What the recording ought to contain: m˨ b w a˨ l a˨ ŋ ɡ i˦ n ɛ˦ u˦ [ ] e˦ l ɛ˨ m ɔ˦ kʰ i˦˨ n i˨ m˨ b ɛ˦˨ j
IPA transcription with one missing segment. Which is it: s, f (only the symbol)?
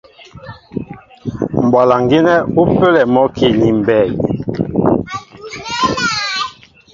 f